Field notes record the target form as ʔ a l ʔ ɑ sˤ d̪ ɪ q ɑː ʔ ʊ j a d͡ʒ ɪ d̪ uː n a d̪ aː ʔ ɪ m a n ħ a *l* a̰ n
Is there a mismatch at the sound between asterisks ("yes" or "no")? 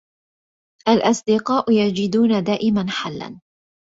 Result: yes